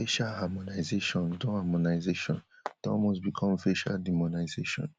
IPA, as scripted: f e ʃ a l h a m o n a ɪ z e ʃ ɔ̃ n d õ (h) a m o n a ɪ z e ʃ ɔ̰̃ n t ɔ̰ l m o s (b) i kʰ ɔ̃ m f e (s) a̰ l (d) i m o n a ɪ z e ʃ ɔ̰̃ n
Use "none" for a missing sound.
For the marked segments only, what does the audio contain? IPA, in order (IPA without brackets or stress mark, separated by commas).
h, b, ʃ, d